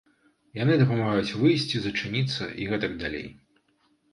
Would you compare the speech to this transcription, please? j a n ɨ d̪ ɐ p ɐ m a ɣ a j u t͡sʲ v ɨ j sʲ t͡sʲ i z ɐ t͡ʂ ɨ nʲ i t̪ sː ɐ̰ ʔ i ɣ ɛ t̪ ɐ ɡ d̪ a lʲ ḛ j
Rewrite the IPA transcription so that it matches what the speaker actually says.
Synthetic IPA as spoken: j a n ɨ d̪ ɐ p ɐ m a ɣ a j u t͡sʲ v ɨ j sʲ t͡sʲ i z ɐ t͡ʂ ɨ nʲ i t̪ sː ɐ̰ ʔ i ɣ ɛ t̪ ɐ ɡ d̪ a lʲ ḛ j

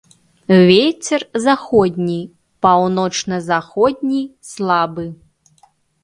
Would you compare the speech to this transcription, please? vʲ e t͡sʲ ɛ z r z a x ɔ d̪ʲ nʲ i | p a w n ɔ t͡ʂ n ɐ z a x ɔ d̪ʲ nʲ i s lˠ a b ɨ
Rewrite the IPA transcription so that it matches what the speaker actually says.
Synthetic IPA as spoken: vʲ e t͡sʲ ɛ r z a x ɔ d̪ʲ nʲ i | p a w n ɔ t͡ʂ n ɐ z a x ɔ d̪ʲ nʲ i s lˠ a b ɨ

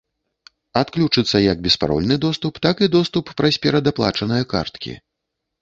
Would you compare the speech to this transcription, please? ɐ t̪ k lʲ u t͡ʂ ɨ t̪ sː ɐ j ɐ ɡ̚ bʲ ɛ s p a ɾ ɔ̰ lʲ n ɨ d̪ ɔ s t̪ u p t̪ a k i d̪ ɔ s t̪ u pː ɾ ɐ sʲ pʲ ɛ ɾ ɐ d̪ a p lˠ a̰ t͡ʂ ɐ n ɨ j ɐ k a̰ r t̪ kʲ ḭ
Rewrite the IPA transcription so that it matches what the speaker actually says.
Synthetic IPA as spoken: a t̪ k lʲ u t͡ʂ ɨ t̪ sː ɐ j ɐ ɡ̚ bʲ ɛ s p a ɾ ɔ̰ lʲ n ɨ d̪ ɔ s t̪ u p t̪ a k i d̪ ɔ s t̪ u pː ɾ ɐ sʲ pʲ ɛ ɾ ɐ d̪ a p lˠ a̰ t͡ʂ ɐ n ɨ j ɐ k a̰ r t̪ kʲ ḭ

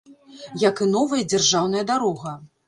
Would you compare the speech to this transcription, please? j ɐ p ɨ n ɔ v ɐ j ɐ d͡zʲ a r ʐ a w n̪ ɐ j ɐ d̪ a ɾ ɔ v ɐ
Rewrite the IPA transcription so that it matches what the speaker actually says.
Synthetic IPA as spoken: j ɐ k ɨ n ɔ v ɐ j ɐ d͡zʲ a r ʐ a w n̪ ɐ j ɐ d̪ a ɾ ɔ ɣ ɐ

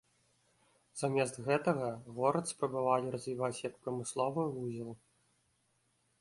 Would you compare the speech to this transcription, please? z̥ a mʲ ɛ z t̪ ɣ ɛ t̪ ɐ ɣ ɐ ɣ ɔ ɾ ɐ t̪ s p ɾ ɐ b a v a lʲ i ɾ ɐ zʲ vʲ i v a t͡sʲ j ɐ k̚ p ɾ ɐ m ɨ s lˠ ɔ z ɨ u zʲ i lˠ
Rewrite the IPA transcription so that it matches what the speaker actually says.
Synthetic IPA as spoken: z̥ a mʲ ɛ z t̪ ɣ ɛ t̪ ɐ ɣ ɐ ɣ ɔ ɾ ɐ t̪ s p ɾ ɐ b a v a lʲ i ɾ ɐ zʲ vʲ i v a t͡sʲ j ɐ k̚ p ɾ ɐ m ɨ s lˠ ɔ v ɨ u zʲ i lˠ

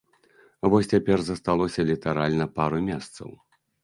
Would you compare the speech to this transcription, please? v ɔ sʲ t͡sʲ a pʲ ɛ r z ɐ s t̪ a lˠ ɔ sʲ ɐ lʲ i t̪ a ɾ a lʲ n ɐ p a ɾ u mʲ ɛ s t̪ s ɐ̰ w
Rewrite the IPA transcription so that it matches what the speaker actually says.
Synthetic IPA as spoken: v ɔ sʲ t͡sʲ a pʲ ɛ r z ɐ s t̪ a lˠ ɔ sʲ ɐ lʲ i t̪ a ɾ a lʲ n ɐ p a ɾ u mʲ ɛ s t̪ s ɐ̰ w

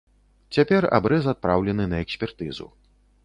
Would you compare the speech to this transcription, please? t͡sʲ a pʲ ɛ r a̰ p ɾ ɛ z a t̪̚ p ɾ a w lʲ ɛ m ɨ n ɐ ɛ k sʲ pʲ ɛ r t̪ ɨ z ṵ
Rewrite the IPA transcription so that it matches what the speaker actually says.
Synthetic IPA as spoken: t͡sʲ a pʲ ɛ r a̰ b ɾ ɛ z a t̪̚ p ɾ a w lʲ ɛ n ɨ n ɐ ɛ k sʲ pʲ ɛ r t̪ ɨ z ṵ

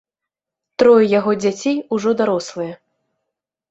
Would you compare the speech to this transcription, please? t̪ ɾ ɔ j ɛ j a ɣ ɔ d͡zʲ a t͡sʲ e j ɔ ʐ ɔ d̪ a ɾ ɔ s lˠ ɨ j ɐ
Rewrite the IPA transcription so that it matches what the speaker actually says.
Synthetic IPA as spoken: t̪ ɾ ɔ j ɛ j a ɣ ɔ d͡zʲ a t͡sʲ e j u ʐ ɔ d̪ a ɾ ɔ s lˠ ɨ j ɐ

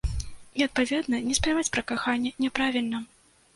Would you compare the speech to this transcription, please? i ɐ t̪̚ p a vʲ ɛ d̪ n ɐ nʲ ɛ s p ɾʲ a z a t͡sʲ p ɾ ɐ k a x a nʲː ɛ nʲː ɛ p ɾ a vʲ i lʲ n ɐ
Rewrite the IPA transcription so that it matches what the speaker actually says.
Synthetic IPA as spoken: i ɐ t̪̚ p a vʲ ɛ d̪ n ɐ nʲ ɛ s p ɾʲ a v a t͡sʲ p ɾ ɐ k a x a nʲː ɛ nʲ ɛ p ɾ a vʲ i lʲ n ɐ

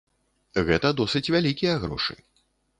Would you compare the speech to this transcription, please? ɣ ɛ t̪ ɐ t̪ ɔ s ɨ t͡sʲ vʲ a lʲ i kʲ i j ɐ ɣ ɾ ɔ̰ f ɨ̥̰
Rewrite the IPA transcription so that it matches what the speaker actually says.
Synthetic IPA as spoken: ɣ ɛ t̪ ɐ d̪ ɔ s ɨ t͡sʲ vʲ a lʲ i kʲ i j ɐ ɣ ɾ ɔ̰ ʂ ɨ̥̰

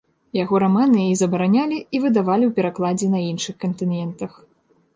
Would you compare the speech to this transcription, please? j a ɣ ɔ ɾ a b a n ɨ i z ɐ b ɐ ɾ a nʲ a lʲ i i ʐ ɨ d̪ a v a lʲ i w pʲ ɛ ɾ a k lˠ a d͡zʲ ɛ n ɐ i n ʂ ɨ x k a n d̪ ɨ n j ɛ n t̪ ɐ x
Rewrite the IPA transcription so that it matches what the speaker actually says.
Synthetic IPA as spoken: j a ɣ ɔ ɾ a m a n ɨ i z ɐ b ɐ ɾ a nʲ a lʲ i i v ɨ d̪ a v a lʲ i w pʲ ɛ ɾ a k lˠ a d͡zʲ ɛ n ɐ i n ʂ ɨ x k ɐ n t̪ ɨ n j ɛ n t̪ ɐ x

